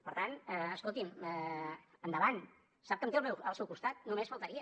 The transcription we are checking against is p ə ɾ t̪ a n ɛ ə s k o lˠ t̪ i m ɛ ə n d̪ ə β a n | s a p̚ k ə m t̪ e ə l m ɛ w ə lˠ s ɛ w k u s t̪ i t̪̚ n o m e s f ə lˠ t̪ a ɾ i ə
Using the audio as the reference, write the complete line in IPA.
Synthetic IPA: p ə ɾ t̪ a n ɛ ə s k o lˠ t̪ i m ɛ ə n d̪ ə β a n | s a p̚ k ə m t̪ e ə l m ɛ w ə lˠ s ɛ w k u s t̪ a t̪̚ n u m e s f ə lˠ t̪ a ɾ i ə